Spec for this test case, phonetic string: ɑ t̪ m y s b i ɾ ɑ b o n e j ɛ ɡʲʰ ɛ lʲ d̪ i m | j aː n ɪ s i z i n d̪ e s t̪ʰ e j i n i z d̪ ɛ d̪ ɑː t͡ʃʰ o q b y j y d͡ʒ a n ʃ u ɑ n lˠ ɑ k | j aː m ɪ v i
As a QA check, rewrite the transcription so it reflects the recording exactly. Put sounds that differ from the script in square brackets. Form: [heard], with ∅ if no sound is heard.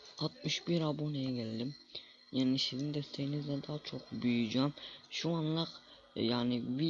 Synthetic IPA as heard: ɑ t̪ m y [ʃ] b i ɾ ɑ b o n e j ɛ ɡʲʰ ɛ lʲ d̪ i m | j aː n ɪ s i z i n d̪ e s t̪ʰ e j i n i z d̪ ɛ d̪ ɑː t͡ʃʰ o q b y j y d͡ʒ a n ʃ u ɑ n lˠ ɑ [q] | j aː [n] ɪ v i